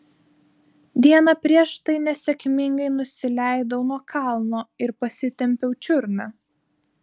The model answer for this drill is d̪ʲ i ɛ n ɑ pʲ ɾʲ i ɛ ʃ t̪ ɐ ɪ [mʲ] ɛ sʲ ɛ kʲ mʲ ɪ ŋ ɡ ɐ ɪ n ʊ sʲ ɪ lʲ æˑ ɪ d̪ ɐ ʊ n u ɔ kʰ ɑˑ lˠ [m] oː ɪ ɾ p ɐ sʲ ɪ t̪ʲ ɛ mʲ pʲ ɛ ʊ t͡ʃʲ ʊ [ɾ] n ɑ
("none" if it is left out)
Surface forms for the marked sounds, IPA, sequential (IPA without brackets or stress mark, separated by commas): nʲ, n, ɾ